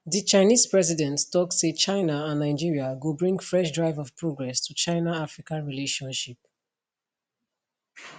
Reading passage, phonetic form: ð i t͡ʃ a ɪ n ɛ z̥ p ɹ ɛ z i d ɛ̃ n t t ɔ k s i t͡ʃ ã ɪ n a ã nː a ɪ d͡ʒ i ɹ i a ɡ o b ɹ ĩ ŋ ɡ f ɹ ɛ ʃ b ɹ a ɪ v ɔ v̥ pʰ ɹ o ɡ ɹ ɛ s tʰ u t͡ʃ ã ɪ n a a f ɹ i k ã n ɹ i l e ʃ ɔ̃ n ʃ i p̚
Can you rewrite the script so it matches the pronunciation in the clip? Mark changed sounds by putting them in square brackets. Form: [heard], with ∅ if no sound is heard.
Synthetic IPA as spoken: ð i t͡ʃ a ɪ n [i] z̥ p ɹ ɛ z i d ɛ̃ n t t ɔ k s [e] t͡ʃ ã ɪ n a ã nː a ɪ d͡ʒ i ɹ i a ɡ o b ɹ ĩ ŋ ɡ f ɹ ɛ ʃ [d] ɹ a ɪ v ɔ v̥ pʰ ɹ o ɡ ɹ ɛ s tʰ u t͡ʃ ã ɪ n a a f ɹ i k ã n ɹ i l e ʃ ɔ̃ n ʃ i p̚